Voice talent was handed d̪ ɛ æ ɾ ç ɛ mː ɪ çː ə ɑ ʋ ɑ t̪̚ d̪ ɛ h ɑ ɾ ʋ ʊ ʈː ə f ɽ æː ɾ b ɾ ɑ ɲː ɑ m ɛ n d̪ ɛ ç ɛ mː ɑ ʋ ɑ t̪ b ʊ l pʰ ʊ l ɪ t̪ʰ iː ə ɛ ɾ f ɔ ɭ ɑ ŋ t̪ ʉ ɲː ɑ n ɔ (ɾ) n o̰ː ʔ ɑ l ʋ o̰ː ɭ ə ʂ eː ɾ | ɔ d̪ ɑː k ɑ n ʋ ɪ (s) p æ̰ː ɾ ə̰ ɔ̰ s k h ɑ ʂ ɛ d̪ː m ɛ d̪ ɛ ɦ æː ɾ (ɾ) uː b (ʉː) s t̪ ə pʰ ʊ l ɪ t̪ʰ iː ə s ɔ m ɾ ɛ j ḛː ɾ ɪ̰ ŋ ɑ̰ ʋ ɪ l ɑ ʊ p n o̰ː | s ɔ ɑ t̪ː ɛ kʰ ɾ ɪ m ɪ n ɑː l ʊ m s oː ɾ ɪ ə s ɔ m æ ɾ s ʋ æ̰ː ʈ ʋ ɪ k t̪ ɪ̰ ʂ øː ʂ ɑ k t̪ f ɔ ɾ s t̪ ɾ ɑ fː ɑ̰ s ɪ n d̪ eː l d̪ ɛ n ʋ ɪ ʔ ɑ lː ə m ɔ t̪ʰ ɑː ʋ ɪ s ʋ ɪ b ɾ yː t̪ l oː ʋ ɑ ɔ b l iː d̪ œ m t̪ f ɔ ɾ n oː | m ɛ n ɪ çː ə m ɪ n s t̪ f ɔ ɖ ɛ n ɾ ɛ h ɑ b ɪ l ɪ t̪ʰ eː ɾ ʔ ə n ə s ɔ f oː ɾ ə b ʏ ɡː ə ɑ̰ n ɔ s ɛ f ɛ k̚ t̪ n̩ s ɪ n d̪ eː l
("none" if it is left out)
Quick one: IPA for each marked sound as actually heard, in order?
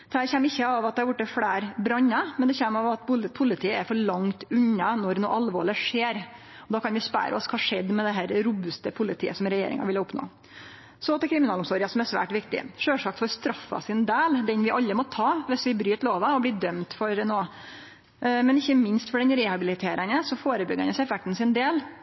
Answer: ɾ, s, ɾ, ʉ

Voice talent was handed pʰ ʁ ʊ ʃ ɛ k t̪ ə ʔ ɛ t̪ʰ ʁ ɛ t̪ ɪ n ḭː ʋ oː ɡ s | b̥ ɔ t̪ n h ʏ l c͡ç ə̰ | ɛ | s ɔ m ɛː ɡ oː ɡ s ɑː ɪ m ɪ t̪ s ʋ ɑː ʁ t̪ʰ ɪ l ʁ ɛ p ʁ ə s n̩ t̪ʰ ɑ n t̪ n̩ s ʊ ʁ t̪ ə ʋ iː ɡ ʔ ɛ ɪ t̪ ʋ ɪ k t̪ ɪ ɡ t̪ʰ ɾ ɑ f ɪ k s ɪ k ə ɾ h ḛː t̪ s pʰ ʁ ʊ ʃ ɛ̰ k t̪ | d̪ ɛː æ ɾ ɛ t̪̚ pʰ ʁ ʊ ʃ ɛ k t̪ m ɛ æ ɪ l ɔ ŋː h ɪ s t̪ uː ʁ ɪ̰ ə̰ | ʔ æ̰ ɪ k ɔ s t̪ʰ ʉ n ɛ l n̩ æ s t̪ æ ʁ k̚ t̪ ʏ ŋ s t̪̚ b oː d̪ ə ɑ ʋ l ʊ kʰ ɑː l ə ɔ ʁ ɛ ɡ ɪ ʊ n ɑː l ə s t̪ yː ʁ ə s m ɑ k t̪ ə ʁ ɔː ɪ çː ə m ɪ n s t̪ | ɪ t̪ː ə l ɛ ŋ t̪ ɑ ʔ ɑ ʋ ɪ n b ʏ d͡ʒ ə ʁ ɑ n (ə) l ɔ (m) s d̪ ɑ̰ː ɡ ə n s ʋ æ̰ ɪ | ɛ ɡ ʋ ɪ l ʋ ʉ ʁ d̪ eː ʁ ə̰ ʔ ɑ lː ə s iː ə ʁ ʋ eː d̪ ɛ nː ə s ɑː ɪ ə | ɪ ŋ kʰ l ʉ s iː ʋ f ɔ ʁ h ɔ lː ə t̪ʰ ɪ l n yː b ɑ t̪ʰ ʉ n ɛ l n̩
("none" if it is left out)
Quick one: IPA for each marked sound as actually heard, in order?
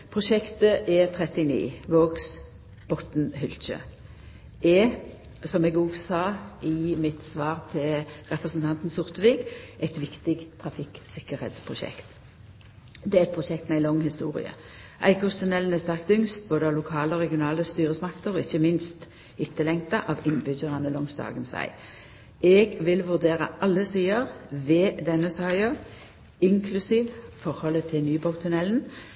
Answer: ə, ŋ

